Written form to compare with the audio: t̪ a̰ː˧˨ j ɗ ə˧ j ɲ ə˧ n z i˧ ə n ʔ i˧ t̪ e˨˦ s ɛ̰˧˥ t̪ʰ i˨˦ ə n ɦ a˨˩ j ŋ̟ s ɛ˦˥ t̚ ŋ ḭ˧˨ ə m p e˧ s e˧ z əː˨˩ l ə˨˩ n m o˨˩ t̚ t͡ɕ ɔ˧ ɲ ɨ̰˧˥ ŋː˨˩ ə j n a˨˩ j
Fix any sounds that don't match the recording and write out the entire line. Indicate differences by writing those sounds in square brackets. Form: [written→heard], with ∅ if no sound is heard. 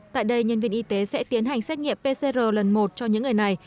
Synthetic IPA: t̪ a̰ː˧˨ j ɗ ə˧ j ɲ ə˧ n [z→v] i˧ ə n ʔ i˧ t̪ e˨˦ s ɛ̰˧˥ [t̪ʰ→t̪] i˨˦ ə n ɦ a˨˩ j ŋ̟ s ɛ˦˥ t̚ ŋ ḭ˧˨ ə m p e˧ s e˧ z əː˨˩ l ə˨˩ n m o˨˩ t̚ t͡ɕ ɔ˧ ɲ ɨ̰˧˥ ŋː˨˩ ə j n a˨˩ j